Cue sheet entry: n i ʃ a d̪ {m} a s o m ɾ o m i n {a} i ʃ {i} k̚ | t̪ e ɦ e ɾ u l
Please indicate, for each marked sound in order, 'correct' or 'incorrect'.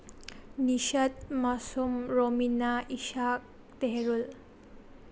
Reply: correct, correct, incorrect: a

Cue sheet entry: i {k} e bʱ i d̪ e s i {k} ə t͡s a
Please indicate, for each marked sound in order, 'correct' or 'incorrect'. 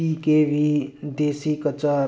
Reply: correct, correct

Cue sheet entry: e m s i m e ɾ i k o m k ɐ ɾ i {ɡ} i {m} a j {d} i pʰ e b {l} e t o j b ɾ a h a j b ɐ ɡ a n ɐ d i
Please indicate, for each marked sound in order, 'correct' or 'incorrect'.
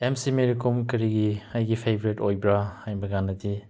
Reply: correct, incorrect: none, incorrect: ɡ, incorrect: ɾ

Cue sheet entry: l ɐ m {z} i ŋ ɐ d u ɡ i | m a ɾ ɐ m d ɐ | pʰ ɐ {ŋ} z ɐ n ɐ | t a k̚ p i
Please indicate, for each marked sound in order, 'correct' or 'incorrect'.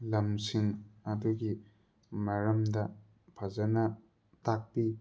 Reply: incorrect: s, incorrect: none

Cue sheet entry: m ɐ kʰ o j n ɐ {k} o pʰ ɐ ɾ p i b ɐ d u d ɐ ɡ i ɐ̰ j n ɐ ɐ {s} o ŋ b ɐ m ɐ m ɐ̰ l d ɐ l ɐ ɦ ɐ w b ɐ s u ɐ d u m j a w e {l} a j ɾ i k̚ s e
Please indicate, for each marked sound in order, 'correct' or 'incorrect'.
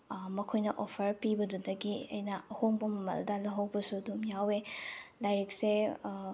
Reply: incorrect: ʔ, incorrect: h, correct

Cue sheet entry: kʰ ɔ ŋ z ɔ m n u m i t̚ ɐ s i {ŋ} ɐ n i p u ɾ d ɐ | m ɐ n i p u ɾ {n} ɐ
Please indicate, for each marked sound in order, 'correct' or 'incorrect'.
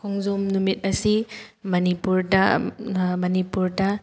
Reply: incorrect: m, incorrect: d

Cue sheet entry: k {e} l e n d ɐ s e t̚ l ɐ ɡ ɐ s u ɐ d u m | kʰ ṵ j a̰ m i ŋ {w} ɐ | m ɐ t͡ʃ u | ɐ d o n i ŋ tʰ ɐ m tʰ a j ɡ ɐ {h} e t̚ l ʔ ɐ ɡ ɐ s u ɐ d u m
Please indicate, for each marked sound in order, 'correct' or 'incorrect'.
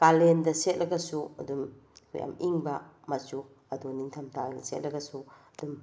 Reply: incorrect: a, incorrect: b, incorrect: s

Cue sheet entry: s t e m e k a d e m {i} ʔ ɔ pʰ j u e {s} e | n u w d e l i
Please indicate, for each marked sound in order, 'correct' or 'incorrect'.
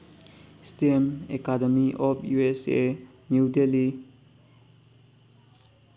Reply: correct, correct

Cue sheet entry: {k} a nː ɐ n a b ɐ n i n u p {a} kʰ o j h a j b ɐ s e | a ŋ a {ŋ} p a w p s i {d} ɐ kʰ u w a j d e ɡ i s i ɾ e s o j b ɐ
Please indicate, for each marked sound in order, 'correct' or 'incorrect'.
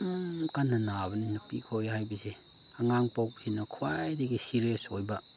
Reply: correct, incorrect: i, correct, incorrect: n

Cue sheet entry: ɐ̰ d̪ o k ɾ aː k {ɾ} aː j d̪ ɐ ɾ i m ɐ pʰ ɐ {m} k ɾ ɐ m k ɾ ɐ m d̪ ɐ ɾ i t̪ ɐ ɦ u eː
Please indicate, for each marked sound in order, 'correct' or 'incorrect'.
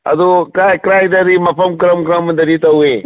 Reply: correct, correct

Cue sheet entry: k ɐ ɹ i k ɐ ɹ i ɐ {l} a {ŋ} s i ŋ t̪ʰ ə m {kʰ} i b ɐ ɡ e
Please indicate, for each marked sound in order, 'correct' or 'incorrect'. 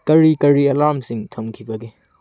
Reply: correct, incorrect: m, correct

